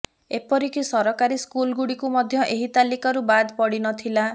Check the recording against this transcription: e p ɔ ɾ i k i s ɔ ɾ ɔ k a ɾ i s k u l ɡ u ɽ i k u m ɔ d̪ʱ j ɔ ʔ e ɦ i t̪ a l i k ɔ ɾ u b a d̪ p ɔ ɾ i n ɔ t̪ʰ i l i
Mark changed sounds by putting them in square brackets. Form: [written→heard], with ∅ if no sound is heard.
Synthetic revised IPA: e p ɔ ɾ i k i s ɔ ɾ ɔ k a ɾ i s k u l ɡ u ɽ i k u m ɔ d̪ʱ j ɔ ʔ e ɦ i t̪ a l i k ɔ ɾ u b a d̪ p ɔ [ɾ→ɽ] i n ɔ t̪ʰ i l [i→a]

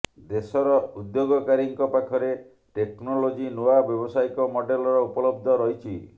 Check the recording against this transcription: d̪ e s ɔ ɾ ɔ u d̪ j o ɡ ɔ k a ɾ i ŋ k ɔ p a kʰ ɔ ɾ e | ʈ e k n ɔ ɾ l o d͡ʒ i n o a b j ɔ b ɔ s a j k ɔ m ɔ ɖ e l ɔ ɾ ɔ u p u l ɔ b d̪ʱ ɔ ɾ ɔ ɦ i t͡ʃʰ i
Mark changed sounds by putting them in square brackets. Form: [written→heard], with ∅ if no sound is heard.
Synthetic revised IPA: d̪ e s ɔ ɾ ɔ u d̪ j o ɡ ɔ k a ɾ i ŋ k ɔ p a kʰ ɔ ɾ e | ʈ e k n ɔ [ɾ→∅] l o d͡ʒ i n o a b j ɔ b ɔ s a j k ɔ m ɔ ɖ e l ɔ ɾ ɔ u p [u→ɔ] l ɔ b d̪ʱ ɔ ɾ ɔ ɦ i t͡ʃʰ i

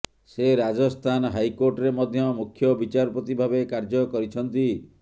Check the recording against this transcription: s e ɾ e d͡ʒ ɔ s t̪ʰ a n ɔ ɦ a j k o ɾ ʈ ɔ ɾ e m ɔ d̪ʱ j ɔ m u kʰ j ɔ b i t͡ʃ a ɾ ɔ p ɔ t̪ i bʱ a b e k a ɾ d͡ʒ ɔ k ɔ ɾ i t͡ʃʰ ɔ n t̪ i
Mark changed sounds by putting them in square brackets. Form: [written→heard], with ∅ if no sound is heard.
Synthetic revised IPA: s e ɾ [e→a] d͡ʒ ɔ s t̪ʰ a n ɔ ɦ a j k o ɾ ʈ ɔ ɾ e m ɔ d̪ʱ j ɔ m u kʰ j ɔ b i t͡ʃ a ɾ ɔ p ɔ t̪ i bʱ a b e k a ɾ d͡ʒ ɔ k ɔ ɾ i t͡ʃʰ ɔ n t̪ i

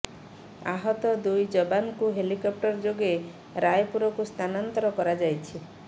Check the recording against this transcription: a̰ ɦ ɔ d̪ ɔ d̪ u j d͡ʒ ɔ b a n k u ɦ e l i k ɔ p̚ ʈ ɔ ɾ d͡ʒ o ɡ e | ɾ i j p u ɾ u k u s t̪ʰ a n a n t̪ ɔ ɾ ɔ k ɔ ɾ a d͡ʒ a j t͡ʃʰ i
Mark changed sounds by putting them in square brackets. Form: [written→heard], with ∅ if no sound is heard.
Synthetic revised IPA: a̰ ɦ ɔ [d̪→t̪] ɔ d̪ u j d͡ʒ ɔ b a n k u ɦ e l i k ɔ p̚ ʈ ɔ ɾ d͡ʒ o ɡ e | ɾ [i→a] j p u ɾ [u→ɔ] k u s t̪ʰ a n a n t̪ ɔ ɾ ɔ k ɔ ɾ a d͡ʒ a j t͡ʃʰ i

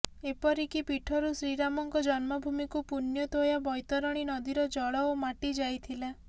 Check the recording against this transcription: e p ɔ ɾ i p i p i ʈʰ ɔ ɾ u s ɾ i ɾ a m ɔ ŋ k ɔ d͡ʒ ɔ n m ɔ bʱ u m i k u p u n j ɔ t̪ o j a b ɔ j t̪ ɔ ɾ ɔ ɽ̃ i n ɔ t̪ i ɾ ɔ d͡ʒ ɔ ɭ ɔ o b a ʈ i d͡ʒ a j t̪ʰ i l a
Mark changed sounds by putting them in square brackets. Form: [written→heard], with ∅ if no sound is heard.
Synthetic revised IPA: e p ɔ ɾ i [p→k] i p i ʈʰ ɔ ɾ u s ɾ i ɾ a m ɔ ŋ k ɔ d͡ʒ ɔ n m ɔ bʱ u m i k u p u n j ɔ t̪ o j a b ɔ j t̪ ɔ ɾ ɔ ɽ̃ i n ɔ [t̪→d̪] i ɾ ɔ d͡ʒ ɔ ɭ ɔ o [b→m] a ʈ i d͡ʒ a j t̪ʰ i l a

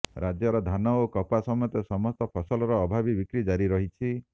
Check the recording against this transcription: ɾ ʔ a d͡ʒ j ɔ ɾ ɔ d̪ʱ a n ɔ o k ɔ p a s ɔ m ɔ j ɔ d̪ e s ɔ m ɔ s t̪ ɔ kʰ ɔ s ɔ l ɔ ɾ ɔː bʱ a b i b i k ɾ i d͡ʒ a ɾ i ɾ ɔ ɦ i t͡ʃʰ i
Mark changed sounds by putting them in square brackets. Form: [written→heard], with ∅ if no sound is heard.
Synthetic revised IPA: ɾ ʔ a d͡ʒ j ɔ ɾ ɔ d̪ʱ a n ɔ o k ɔ p a s ɔ m ɔ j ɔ [d̪→t̪] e s ɔ m ɔ s t̪ ɔ [kʰ→pʰ] ɔ s ɔ l ɔ ɾ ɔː bʱ a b i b i k ɾ i d͡ʒ a ɾ i ɾ ɔ ɦ i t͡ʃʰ i

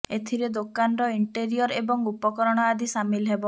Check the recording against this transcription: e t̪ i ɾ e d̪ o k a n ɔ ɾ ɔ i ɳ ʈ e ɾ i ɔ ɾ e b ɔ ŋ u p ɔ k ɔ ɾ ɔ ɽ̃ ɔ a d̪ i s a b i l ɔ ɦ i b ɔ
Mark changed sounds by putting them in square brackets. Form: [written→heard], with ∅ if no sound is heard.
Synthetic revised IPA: e [t̪→t̪ʰ] i ɾ e d̪ o k a n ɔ ɾ ɔ i ɳ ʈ e ɾ i ɔ ɾ e b ɔ ŋ u p ɔ k ɔ ɾ ɔ ɽ̃ ɔ a d̪ i s a [b→m] i l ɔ ɦ [i→e] b ɔ

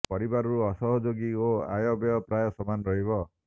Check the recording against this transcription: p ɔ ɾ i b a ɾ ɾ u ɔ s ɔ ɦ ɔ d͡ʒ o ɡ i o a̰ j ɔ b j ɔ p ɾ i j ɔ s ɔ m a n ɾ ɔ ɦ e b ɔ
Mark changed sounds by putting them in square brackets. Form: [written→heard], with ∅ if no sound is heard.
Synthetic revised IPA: p ɔ ɾ i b a ɾ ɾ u ɔ s ɔ ɦ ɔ d͡ʒ o ɡ i o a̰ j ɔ b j ɔ p ɾ [i→a] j ɔ s ɔ m a n ɾ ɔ ɦ [e→i] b ɔ

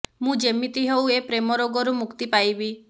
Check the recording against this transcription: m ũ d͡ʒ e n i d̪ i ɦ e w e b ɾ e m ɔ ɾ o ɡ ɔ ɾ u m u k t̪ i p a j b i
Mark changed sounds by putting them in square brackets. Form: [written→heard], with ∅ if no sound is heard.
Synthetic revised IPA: m ũ d͡ʒ e [n→m] i [d̪→t̪] i ɦ e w e [b→p] ɾ e m ɔ ɾ o ɡ ɔ ɾ u m u k t̪ i p a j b i

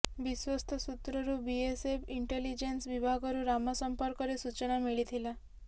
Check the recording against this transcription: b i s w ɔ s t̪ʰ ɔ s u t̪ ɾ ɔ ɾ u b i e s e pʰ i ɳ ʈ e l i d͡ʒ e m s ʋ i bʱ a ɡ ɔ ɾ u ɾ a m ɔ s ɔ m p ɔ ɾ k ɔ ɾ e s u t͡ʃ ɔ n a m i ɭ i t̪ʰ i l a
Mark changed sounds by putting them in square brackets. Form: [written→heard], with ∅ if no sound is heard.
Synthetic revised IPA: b i s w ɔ s t̪ʰ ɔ s u t̪ ɾ ɔ ɾ u b i e s e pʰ i ɳ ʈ e l i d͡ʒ e [m→n] s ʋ i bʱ a ɡ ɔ ɾ u ɾ a m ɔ s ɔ m p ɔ ɾ k ɔ ɾ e s u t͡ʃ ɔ n a m i ɭ i t̪ʰ i l a

